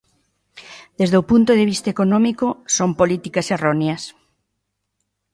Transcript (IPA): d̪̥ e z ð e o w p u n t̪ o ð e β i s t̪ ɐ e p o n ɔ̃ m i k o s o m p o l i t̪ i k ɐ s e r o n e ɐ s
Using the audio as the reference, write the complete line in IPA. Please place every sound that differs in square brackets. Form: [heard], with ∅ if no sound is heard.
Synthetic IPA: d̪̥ e z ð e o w p u n t̪ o ð e β i s t̪ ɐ e [k] o n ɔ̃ m i k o s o m p o l i t̪ i k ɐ s e r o n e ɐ s